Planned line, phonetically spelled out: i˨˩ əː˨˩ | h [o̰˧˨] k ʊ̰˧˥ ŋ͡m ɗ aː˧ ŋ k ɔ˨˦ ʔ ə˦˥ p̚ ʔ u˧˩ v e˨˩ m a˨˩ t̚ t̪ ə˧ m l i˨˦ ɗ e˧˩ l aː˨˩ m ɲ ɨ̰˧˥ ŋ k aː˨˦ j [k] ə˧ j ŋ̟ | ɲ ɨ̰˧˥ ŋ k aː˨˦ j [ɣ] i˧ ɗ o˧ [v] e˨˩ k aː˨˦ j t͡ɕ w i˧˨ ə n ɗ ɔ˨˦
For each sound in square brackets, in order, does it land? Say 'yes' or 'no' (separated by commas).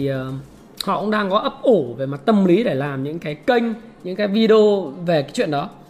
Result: no, yes, no, yes